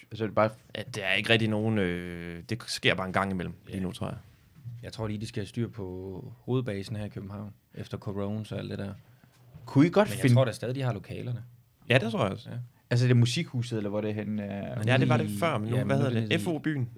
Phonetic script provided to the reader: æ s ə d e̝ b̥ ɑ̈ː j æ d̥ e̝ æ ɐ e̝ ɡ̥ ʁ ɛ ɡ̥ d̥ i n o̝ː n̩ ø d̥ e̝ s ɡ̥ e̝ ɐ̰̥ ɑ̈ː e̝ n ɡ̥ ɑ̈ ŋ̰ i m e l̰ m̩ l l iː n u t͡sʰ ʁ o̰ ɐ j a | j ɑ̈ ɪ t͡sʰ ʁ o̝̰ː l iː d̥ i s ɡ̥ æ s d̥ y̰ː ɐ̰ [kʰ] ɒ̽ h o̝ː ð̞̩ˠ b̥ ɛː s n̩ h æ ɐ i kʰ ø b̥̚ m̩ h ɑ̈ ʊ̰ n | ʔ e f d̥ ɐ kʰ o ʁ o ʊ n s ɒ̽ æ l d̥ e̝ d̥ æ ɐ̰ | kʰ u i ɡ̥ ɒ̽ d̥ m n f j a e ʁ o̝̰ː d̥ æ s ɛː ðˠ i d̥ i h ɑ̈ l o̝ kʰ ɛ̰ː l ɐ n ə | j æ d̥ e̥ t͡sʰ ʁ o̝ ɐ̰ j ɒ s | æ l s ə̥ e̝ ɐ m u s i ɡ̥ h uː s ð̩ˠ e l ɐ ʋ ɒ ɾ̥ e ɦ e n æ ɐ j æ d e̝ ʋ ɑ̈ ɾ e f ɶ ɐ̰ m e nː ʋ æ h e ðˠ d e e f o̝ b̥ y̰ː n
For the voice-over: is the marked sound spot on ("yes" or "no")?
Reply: no